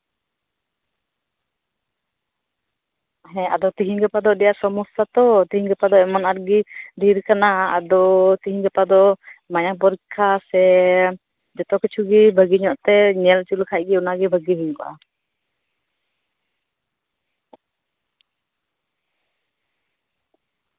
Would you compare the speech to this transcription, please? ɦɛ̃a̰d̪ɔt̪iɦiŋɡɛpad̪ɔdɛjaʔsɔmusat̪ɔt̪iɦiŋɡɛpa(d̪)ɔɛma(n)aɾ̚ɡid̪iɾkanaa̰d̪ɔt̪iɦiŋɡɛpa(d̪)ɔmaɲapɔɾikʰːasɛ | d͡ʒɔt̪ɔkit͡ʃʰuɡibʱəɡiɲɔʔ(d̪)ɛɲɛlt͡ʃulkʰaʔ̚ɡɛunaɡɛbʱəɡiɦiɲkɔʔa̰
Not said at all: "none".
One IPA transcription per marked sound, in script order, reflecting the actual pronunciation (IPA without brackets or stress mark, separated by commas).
d̪, n, d̪, t̪